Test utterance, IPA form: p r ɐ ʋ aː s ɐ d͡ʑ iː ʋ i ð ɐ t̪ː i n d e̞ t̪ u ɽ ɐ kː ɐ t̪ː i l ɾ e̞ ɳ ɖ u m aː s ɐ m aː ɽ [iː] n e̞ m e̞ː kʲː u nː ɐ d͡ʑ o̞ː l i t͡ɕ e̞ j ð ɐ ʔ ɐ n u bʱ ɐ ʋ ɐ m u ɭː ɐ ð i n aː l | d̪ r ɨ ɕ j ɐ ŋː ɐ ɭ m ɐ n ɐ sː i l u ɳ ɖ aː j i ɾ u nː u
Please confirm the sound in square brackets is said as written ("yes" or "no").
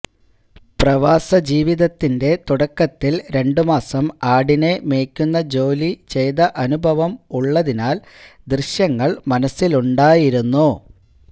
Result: no